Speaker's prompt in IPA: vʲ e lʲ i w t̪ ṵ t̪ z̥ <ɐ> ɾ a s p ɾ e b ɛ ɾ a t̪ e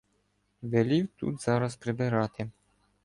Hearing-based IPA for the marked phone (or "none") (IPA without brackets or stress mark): a